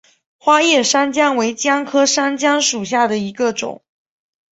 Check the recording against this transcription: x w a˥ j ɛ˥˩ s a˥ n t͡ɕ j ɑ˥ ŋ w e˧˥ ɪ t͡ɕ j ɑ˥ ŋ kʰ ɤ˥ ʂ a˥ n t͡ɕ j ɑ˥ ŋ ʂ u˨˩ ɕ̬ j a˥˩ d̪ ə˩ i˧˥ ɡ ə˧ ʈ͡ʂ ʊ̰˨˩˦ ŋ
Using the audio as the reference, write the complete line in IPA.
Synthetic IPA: x w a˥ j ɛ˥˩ ʂ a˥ n t͡ɕ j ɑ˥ ŋ w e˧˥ ɪ t͡ɕ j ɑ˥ ŋ kʰ ɤ˥ ʂ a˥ n t͡ɕ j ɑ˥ ŋ ʂ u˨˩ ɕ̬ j a˥˩ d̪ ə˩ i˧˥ ɡ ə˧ ʈ͡ʂ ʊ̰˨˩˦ ŋ